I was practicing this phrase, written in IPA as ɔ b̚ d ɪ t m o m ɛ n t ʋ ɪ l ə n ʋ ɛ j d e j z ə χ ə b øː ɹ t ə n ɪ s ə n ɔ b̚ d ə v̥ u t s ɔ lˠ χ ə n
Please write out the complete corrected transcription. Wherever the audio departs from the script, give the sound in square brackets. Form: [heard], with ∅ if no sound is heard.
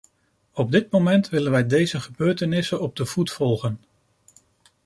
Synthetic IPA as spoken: ɔ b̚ d ɪ t m o m ɛ n t ʋ ɪ l ə n ʋ ɛ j d e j z ə χ ə b øː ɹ t ə n ɪ s ə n ɔ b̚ d ə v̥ u t [f] ɔ lˠ χ ə n